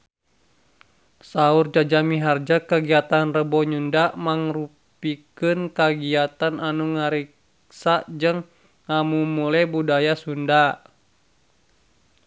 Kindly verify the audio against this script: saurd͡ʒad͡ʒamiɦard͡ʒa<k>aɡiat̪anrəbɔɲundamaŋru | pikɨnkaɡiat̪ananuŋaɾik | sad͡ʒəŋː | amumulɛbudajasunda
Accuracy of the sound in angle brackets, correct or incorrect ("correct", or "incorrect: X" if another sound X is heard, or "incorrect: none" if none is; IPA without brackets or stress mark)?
correct